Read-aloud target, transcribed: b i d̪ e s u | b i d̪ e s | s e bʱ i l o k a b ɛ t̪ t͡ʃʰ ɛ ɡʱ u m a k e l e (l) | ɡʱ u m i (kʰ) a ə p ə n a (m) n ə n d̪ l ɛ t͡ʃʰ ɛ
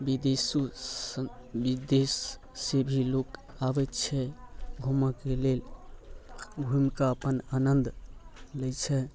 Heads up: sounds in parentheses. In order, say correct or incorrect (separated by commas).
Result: correct, incorrect, incorrect